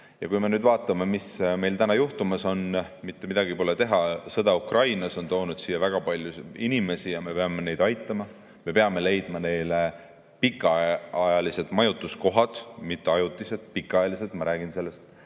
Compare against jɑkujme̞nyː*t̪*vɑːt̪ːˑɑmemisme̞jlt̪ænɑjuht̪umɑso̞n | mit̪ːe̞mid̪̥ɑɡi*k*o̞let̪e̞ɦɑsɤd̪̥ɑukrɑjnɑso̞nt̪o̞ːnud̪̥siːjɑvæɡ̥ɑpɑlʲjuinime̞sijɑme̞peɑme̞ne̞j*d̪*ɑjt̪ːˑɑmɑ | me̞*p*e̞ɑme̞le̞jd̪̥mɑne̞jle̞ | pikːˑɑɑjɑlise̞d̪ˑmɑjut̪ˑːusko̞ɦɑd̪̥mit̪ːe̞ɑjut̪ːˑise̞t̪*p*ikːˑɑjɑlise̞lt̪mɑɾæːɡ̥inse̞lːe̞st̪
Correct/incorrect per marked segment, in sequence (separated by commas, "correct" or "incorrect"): incorrect, incorrect, correct, correct, correct